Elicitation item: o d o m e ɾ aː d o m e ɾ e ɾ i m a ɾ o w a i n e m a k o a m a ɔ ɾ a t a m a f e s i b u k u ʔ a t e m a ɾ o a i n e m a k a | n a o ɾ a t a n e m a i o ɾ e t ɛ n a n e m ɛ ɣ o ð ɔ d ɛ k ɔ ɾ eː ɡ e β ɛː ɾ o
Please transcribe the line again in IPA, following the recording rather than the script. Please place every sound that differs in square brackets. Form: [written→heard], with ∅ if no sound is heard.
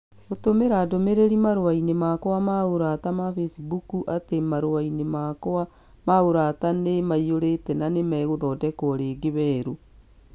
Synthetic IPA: o [d→t] o m e ɾ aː d o m e ɾ e ɾ i m a ɾ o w a i n e m a k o a m a [ɔ→o] ɾ a t a m a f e s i b u k u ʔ a t e m a ɾ o a i n e m a k a | [n→m] a o ɾ a t a n e m a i o ɾ e t ɛ n a n e m ɛ ɣ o ð ɔ d ɛ k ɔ ɾ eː ɡ e β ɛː ɾ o